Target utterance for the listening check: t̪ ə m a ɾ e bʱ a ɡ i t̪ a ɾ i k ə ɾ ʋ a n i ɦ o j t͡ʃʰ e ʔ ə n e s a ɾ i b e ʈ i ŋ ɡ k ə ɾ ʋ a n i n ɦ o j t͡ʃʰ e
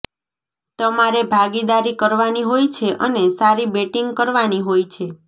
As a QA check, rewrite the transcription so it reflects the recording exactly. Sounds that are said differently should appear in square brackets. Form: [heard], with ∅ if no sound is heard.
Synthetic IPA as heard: t̪ ə m a ɾ e bʱ a ɡ i [d̪] a ɾ i k ə ɾ ʋ a n i ɦ o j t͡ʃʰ e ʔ ə n e s a ɾ i b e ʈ i ŋ ɡ k ə ɾ ʋ a n i [∅] ɦ o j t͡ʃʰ e